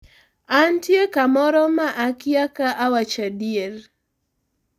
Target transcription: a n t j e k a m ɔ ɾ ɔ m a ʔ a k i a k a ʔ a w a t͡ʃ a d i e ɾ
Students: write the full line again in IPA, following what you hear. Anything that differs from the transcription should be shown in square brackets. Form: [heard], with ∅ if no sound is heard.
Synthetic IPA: a n t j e k a m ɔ ɾ ɔ m a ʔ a k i a k a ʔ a w a t͡ʃ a d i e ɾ